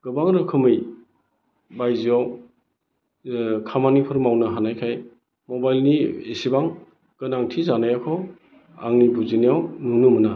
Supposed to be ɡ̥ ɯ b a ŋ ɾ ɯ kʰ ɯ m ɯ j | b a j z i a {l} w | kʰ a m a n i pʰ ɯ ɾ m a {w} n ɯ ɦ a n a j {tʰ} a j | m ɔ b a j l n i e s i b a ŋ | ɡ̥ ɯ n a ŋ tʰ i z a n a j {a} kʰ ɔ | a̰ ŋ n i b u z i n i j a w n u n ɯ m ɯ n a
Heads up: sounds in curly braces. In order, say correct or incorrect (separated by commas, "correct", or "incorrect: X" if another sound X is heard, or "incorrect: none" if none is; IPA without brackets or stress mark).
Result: incorrect: none, correct, incorrect: kʰ, correct